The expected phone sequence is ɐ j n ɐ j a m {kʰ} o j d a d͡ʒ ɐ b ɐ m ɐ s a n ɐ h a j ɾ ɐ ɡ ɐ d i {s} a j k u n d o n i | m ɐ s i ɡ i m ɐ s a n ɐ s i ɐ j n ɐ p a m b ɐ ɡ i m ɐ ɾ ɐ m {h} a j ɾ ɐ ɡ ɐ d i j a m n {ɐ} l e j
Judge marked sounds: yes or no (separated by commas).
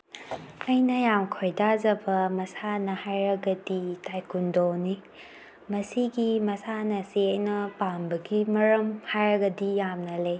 yes, no, yes, yes